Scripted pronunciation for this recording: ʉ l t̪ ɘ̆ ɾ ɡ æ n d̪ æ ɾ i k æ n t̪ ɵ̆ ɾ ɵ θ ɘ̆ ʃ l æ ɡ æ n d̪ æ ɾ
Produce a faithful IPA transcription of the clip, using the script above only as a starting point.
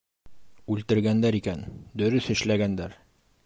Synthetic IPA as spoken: ʉ l t̪ ɘ̆ ɾ ɡ æ n d̪ æ ɾ i k æ n d̪ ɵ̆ ɾ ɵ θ ɘ̆ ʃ l æ ɡ æ n d̪ æ ɾ